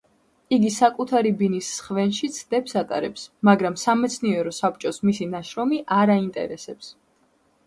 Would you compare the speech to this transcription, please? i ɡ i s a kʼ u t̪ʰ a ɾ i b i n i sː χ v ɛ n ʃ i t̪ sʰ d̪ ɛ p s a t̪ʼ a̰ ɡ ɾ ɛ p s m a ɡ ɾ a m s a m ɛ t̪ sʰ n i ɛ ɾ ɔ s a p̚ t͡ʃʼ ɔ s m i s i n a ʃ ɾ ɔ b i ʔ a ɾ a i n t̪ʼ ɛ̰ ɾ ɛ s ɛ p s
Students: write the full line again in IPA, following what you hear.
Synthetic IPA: i ɡ i s a kʼ u t̪ʰ a ɾ i b i n i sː χ v ɛ n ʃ i t̪ sʰ d̪ ɛ p s a t̪ʼ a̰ ɾ ɛ p s m a ɡ ɾ a m s a m ɛ t̪ sʰ n i ɛ ɾ ɔ s a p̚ t͡ʃʼ ɔ s m i s i n a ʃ ɾ ɔ m i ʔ a ɾ a i n t̪ʼ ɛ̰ ɾ ɛ s ɛ p s